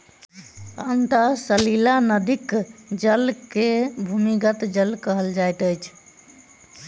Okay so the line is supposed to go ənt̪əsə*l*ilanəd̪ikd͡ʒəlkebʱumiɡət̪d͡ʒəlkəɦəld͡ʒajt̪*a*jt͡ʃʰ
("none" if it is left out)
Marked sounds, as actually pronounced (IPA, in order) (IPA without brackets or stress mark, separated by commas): l, ə